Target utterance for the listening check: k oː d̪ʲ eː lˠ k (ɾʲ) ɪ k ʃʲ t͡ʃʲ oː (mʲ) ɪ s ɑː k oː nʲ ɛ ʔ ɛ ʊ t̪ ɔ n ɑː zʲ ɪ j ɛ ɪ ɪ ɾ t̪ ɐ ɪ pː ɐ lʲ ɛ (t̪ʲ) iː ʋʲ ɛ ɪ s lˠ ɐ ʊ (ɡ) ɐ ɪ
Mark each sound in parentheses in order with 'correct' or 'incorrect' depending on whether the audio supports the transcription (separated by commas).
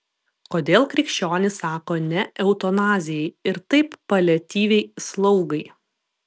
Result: correct, incorrect, correct, correct